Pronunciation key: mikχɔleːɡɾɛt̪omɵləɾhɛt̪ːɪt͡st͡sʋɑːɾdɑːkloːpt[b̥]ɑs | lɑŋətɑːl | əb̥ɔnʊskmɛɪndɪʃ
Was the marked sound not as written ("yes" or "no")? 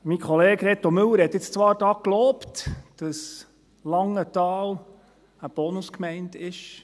yes